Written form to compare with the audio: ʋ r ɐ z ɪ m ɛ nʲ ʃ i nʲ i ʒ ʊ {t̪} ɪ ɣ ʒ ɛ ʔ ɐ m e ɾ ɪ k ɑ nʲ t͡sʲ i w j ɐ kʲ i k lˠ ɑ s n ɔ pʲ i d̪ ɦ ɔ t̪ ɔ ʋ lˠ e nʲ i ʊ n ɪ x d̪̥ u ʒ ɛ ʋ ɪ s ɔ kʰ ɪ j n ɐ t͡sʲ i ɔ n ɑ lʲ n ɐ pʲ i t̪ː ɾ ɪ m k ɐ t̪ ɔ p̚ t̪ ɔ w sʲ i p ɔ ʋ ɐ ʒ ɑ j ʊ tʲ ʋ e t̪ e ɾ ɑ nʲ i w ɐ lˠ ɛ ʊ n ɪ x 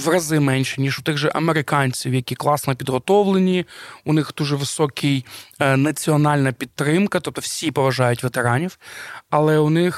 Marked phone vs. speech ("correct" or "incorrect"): correct